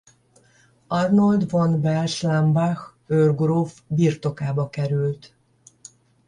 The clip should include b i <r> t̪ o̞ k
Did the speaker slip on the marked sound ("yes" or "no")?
no